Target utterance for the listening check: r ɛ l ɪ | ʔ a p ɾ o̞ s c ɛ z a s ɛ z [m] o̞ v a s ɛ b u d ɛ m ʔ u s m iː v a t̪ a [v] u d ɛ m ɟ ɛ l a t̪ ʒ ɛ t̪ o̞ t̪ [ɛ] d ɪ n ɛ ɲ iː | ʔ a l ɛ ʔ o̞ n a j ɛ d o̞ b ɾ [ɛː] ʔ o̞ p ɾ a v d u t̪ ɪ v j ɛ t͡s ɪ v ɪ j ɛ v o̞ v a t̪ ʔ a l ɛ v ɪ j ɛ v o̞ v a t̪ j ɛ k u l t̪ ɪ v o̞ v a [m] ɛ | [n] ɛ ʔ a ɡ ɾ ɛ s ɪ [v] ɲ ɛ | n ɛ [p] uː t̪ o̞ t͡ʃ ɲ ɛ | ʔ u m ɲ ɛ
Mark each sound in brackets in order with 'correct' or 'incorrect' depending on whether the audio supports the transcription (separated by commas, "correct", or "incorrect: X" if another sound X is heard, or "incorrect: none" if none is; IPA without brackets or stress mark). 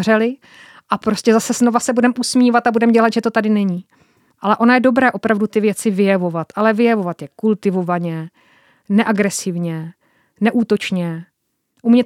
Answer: incorrect: n, incorrect: b, incorrect: a, correct, incorrect: ɲ, correct, correct, incorrect: ʔ